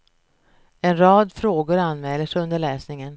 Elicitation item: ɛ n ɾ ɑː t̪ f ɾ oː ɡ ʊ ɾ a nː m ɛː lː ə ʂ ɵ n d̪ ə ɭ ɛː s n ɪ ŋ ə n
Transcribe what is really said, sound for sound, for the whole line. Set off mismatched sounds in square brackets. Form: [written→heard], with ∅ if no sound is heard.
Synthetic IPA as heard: ɛ n ɾ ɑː [t̪→d̪] f ɾ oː ɡ ʊ ɾ a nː m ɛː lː ə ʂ ɵ n d̪ ə ɭ ɛː s n ɪ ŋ ə n